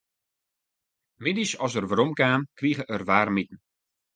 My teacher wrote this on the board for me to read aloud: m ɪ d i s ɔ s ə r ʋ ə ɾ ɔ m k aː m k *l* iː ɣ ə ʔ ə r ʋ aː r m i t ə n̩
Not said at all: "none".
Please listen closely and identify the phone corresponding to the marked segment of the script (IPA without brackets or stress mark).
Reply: r